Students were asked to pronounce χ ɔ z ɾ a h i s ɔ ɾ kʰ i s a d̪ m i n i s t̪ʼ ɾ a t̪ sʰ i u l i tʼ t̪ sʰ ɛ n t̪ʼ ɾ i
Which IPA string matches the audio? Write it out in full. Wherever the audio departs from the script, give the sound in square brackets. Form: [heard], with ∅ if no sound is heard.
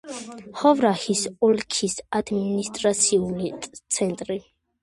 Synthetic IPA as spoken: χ ɔ [v] ɾ a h i s ɔ [l] kʰ i s a d̪ m i n i s t̪ʼ ɾ a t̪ sʰ i u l i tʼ t̪ sʰ ɛ n t̪ʼ ɾ i